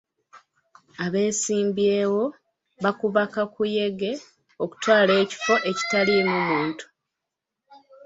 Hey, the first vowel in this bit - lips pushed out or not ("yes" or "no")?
no